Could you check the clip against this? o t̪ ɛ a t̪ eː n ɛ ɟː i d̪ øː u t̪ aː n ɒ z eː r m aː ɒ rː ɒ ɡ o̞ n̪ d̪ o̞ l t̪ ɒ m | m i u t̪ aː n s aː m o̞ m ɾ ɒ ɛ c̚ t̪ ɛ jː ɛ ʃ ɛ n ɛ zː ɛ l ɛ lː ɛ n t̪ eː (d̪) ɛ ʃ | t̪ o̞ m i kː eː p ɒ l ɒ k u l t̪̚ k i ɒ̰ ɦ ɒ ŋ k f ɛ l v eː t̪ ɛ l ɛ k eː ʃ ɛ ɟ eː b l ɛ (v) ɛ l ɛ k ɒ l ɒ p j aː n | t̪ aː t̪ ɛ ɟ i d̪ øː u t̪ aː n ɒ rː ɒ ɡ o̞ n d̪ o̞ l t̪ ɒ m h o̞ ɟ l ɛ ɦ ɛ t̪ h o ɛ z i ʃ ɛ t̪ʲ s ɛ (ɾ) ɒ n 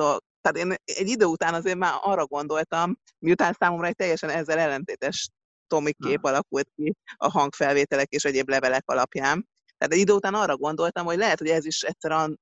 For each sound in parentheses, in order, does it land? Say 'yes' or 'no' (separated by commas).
no, yes, yes